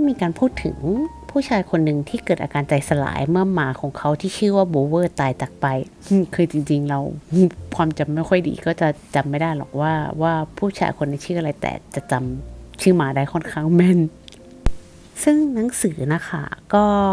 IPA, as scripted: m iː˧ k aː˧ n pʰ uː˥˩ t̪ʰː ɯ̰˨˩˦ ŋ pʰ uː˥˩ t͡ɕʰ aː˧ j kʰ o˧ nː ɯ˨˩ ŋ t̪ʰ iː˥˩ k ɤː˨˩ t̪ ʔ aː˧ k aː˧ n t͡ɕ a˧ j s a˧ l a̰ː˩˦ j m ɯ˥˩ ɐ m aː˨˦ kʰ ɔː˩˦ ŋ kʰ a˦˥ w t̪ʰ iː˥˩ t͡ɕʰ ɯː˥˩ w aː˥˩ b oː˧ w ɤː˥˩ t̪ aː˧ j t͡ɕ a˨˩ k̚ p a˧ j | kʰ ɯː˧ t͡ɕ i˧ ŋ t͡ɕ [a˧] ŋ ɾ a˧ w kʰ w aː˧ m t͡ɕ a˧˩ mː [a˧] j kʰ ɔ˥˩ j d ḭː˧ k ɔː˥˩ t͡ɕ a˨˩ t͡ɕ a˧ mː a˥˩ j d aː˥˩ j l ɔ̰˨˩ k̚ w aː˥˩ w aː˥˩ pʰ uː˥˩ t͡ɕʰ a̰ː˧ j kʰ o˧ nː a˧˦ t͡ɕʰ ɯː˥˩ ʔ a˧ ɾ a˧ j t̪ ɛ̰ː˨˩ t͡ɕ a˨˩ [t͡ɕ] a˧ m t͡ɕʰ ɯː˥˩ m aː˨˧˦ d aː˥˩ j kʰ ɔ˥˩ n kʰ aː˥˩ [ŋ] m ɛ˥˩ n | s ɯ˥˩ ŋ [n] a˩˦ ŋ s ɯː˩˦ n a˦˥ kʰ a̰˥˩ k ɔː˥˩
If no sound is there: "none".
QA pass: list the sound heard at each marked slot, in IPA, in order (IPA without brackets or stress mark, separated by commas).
i˧, a˦˥˩, t͡ɕ, ŋ, n